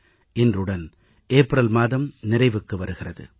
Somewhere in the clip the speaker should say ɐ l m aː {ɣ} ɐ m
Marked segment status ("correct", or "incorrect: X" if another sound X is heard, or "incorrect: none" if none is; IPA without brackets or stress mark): incorrect: ð